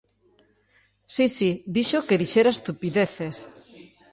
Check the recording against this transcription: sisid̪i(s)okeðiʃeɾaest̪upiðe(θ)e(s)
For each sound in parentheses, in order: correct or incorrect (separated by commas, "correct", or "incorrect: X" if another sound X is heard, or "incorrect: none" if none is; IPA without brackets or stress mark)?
incorrect: ʃ, correct, correct